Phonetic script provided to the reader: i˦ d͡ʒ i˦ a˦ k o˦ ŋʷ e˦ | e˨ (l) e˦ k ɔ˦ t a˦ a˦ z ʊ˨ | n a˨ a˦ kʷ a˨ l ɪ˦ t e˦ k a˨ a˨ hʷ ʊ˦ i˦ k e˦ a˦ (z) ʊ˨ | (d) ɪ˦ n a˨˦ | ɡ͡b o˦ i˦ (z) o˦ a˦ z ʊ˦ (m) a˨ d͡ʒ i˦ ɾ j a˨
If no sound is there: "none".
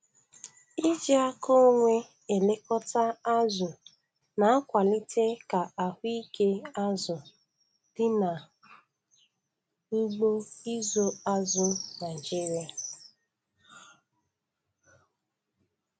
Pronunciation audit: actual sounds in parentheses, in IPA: l, z, d, z, n

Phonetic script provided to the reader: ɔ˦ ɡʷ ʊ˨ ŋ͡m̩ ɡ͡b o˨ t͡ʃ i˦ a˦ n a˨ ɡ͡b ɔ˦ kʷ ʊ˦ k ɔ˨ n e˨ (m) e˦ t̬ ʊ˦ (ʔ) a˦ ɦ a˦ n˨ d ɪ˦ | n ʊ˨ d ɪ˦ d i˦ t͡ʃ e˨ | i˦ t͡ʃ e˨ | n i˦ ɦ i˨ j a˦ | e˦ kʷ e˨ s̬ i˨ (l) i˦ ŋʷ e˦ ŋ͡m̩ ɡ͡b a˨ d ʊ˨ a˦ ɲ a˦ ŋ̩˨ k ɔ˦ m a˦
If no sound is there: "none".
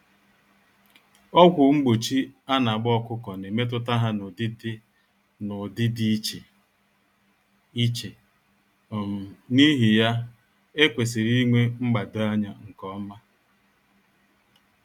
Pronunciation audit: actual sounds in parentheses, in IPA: m, t, ɾ

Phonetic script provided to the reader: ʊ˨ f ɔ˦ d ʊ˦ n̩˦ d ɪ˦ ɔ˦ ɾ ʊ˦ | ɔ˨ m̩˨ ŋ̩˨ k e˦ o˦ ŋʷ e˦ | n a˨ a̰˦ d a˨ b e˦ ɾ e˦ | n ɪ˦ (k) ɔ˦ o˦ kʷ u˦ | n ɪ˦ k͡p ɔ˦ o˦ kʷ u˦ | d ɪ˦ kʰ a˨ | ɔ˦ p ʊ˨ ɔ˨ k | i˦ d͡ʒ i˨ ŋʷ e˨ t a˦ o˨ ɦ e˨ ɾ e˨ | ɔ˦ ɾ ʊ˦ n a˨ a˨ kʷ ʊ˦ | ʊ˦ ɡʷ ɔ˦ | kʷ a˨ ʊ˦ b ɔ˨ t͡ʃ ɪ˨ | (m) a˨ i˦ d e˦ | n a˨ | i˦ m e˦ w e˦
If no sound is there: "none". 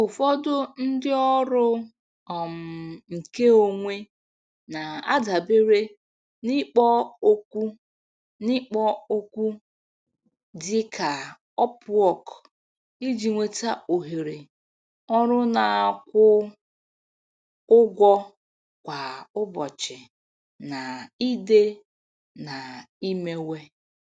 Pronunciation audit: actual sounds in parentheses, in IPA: k͡p, n

